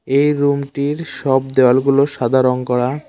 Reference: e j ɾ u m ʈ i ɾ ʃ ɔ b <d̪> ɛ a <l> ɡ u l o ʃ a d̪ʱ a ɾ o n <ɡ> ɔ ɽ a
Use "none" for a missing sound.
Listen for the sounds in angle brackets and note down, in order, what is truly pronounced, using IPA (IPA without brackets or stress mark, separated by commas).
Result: d̪, l, k